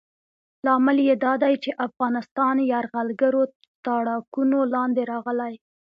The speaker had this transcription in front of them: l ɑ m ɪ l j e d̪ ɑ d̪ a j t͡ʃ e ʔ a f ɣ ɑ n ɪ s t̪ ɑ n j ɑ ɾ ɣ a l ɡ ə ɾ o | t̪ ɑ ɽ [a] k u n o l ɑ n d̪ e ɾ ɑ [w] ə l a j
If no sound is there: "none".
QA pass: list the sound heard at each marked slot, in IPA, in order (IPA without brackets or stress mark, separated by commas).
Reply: ɑ, ɣ